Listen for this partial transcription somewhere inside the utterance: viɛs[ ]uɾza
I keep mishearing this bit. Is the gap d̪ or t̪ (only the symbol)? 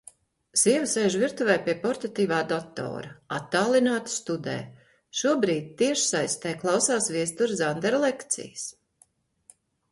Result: t̪